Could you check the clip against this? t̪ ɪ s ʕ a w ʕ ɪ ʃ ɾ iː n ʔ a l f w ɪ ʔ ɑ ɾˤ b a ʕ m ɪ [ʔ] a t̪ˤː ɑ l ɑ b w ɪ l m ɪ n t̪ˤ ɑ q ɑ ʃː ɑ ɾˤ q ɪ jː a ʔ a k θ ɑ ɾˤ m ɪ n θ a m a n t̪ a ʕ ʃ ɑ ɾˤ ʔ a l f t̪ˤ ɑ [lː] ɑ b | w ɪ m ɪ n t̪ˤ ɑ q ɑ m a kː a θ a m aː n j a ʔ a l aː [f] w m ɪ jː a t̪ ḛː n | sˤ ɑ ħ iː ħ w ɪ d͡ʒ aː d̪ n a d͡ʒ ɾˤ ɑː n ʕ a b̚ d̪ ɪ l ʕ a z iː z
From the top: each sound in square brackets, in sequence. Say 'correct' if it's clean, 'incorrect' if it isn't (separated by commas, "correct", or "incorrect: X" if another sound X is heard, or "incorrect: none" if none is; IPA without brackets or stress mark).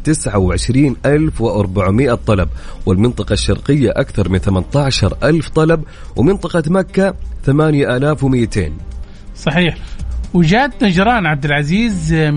correct, incorrect: l, correct